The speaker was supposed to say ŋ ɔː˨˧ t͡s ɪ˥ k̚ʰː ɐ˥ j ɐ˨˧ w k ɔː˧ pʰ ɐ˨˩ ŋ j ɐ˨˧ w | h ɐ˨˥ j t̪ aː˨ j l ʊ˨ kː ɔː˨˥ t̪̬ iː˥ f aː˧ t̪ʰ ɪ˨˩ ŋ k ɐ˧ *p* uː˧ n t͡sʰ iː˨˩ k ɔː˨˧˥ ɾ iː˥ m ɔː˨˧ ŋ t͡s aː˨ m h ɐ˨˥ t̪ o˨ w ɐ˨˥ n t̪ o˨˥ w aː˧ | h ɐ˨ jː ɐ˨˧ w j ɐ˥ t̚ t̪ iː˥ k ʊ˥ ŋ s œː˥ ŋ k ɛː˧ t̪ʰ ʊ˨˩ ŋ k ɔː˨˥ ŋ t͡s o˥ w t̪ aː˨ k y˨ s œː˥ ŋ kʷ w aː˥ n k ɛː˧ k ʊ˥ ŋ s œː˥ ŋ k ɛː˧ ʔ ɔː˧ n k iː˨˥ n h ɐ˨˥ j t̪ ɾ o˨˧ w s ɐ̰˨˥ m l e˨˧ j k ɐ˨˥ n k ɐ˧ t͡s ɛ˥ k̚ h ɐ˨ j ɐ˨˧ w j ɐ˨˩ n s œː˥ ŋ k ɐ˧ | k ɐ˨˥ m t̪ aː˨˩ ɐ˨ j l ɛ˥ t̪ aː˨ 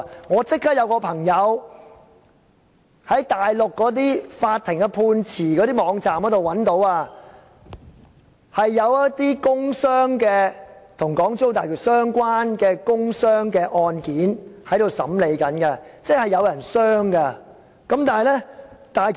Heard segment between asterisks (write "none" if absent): pʰ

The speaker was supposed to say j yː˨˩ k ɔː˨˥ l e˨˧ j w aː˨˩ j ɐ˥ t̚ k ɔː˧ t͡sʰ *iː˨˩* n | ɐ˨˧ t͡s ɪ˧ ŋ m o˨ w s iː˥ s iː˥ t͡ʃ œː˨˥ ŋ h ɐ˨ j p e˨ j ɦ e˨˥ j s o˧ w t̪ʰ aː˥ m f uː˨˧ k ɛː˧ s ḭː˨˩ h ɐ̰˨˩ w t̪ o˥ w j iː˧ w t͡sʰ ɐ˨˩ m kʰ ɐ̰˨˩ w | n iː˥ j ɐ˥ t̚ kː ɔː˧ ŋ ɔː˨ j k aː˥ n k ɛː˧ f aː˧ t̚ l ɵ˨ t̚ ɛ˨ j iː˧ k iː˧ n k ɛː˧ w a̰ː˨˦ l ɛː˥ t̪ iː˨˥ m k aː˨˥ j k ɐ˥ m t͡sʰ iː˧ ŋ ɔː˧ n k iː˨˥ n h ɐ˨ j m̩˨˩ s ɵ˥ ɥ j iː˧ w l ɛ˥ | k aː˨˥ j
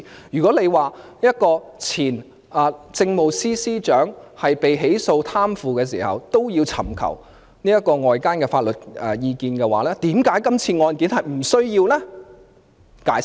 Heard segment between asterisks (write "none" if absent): iː˨˩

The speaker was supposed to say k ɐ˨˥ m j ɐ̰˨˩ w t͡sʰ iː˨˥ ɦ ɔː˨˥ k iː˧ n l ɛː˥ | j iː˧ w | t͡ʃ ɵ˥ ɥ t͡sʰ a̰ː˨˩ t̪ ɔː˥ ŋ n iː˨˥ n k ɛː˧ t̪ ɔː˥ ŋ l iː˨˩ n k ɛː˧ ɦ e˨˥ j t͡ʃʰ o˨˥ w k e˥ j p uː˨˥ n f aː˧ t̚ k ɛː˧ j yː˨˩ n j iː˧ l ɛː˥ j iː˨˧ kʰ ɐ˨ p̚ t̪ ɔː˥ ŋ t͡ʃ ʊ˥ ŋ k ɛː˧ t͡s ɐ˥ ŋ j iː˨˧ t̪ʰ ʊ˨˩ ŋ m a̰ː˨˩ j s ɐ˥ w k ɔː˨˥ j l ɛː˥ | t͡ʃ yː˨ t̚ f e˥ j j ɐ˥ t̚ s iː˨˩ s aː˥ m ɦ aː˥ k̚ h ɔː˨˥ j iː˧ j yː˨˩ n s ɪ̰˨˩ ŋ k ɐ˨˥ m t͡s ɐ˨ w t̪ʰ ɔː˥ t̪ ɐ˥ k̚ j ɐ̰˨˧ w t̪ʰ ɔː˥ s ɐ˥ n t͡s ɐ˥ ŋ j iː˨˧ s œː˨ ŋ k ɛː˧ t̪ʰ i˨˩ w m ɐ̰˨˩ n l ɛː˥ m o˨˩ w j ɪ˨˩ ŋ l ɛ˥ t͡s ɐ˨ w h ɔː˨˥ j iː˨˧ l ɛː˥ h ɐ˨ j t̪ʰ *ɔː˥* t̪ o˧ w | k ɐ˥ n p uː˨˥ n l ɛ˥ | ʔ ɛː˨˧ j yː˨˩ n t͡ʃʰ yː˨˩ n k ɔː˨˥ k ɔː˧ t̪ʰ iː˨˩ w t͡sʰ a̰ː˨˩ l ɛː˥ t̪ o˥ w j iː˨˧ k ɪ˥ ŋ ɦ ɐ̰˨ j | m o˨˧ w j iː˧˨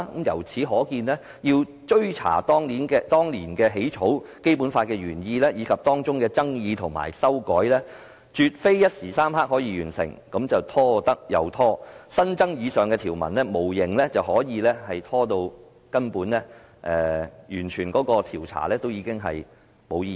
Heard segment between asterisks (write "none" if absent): ɔː˥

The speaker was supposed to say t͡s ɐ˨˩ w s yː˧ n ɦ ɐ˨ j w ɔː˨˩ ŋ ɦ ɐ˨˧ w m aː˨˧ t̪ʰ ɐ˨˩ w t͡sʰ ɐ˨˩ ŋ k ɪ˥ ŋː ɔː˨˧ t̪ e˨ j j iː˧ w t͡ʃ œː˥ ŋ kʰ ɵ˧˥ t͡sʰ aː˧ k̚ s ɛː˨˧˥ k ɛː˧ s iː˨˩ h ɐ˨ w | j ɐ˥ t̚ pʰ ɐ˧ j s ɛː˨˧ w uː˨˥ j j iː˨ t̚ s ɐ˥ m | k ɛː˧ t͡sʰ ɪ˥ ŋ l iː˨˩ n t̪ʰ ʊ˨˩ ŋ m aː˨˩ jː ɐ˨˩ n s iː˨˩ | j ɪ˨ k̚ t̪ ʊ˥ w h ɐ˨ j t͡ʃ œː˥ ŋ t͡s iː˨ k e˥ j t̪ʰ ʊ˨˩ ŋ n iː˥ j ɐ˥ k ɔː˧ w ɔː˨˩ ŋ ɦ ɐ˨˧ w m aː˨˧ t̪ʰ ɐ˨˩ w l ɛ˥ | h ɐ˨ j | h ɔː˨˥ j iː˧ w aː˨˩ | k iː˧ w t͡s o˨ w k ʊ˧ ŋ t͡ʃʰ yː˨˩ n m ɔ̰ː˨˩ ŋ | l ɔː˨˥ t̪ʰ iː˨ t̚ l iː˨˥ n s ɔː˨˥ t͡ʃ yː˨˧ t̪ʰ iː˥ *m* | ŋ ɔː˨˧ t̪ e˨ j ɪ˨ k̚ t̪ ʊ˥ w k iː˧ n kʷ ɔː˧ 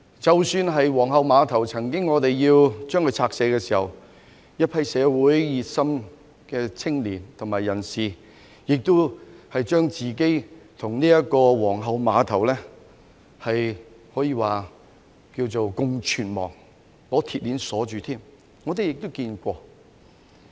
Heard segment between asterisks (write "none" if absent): m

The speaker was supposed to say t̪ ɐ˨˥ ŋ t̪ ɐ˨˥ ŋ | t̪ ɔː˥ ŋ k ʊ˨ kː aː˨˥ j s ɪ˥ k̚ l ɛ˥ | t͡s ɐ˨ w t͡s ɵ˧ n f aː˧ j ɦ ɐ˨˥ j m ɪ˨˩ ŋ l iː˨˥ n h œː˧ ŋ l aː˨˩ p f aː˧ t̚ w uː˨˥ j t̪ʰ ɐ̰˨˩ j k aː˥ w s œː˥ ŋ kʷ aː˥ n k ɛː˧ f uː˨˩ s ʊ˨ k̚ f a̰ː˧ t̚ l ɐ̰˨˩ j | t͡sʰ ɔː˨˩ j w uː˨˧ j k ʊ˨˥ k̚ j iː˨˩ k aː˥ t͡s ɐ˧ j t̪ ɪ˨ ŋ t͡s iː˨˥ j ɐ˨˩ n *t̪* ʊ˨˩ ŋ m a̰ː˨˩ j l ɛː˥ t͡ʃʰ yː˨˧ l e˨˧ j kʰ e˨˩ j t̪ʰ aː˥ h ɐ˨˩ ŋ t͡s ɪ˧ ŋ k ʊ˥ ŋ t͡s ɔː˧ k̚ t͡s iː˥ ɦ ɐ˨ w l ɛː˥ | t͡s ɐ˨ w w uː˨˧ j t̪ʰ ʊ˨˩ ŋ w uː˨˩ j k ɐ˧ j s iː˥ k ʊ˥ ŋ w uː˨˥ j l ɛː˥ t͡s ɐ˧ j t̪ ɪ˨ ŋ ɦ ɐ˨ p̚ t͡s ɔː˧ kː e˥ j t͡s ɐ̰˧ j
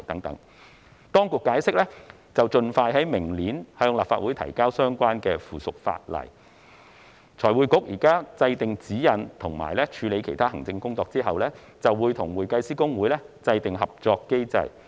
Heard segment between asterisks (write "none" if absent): t̪ʰ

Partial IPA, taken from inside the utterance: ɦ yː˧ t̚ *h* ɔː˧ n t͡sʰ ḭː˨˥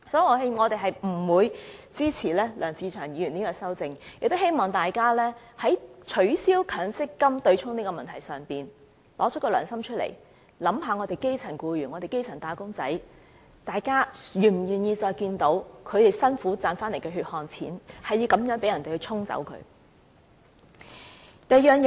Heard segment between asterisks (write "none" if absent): h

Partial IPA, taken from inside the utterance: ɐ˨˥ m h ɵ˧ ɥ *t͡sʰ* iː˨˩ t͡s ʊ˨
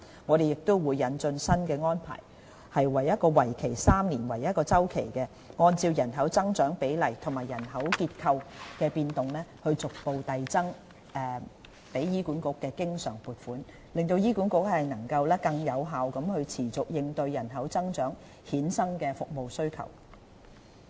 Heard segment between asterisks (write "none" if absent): t͡sʰ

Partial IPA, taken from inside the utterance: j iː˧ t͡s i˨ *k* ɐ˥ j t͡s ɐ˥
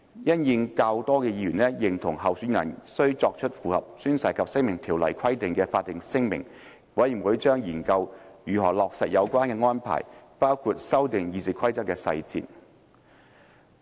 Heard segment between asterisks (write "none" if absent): kʰ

